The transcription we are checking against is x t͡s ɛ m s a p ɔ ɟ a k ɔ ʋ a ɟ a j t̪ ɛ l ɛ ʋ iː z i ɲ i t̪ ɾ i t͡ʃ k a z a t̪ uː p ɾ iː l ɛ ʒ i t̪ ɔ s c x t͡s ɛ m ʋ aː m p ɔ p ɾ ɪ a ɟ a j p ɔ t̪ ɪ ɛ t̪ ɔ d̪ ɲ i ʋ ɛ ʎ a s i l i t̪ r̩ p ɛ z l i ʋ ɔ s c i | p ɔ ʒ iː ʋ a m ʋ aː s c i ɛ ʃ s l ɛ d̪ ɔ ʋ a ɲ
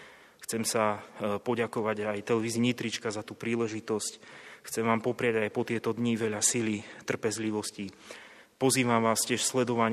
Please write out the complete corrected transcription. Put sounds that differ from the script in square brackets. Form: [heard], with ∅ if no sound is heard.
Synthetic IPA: x t͡s ɛ m s a p ɔ ɟ a k ɔ ʋ a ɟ a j t̪ ɛ l ɛ ʋ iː z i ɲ i t̪ ɾ i t͡ʃ k a z a t̪ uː p ɾ iː l ɛ ʒ i t̪ ɔ s c x t͡s ɛ m ʋ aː m p ɔ p ɾ ɪ a ɟ a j p ɔ t̪ ɪ ɛ t̪ ɔ d̪ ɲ i ʋ ɛ ʎ a s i l i t̪ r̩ p ɛ z l i ʋ ɔ s c i | p ɔ [z] iː ʋ a m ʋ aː s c [ɪ] ɛ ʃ s l ɛ d̪ ɔ ʋ a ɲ